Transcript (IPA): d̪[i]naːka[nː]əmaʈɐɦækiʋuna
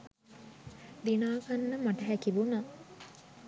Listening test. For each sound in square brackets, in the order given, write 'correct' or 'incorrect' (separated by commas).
correct, correct